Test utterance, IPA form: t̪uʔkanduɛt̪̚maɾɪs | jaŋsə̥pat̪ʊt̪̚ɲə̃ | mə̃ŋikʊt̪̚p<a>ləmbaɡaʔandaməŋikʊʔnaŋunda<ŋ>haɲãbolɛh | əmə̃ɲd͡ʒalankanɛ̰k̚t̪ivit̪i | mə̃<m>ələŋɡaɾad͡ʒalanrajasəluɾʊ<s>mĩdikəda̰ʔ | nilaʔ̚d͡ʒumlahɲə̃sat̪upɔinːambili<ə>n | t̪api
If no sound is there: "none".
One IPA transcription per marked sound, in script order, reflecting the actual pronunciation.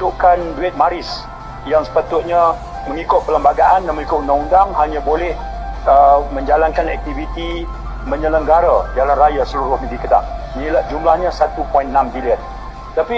ə, ŋ, ɲ, h, ə

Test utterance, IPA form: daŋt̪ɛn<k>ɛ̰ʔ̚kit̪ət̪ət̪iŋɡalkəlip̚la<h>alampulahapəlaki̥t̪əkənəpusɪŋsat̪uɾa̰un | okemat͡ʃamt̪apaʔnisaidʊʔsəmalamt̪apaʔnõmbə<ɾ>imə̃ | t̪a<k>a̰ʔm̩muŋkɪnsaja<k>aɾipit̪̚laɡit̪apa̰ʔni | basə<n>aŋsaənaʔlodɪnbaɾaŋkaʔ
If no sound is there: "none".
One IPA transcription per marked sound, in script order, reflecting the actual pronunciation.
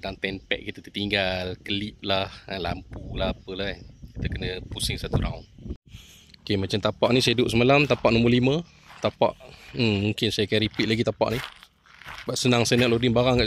p, h, l, p, k, n

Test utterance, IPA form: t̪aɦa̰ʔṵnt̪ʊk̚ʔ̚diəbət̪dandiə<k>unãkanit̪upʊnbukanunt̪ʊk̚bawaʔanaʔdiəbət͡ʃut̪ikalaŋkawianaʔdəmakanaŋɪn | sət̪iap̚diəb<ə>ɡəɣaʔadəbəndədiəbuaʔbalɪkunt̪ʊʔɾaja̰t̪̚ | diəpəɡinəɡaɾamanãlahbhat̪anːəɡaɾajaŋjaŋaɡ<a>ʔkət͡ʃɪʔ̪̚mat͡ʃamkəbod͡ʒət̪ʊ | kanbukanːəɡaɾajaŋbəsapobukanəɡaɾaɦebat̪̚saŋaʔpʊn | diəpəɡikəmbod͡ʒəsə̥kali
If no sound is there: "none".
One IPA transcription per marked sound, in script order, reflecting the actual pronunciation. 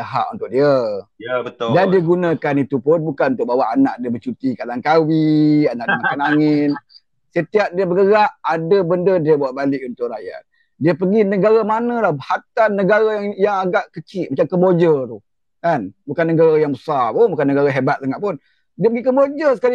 ɡ, ə, a

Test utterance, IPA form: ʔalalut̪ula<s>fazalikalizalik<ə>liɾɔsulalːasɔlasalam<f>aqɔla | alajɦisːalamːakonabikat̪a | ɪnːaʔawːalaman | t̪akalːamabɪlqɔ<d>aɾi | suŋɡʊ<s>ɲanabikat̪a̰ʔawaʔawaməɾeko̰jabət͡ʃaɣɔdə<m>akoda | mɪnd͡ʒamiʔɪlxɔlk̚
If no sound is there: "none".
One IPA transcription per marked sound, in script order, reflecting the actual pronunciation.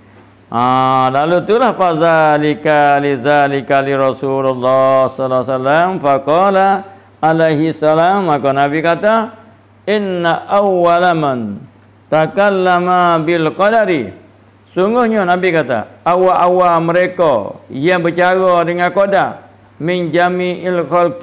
h, a, f, d, h, ŋ

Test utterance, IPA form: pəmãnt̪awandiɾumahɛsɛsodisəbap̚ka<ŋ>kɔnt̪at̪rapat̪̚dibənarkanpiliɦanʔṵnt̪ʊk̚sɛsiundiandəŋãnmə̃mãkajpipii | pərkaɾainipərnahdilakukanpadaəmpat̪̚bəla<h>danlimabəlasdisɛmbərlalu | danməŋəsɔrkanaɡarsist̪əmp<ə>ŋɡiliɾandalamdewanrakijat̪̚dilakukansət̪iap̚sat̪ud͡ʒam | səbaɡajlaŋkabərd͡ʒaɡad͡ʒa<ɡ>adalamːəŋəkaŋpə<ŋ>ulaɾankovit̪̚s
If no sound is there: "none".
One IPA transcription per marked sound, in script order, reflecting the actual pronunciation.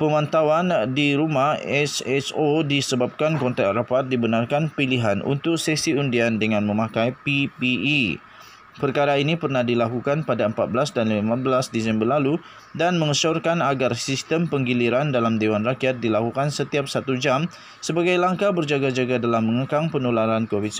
n, s, ə, ɡ, n

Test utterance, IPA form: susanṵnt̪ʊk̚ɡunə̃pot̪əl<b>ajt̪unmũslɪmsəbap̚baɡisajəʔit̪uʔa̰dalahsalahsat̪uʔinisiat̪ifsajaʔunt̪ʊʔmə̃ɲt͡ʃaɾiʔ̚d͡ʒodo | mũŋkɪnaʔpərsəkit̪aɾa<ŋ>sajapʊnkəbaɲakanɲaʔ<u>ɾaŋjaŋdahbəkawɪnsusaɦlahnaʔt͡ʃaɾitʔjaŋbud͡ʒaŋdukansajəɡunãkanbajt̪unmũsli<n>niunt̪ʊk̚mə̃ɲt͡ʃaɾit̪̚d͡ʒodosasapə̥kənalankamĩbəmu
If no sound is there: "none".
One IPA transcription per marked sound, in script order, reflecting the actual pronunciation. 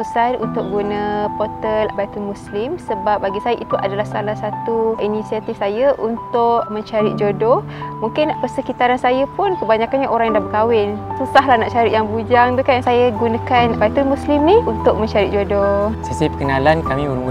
b, n, o, m

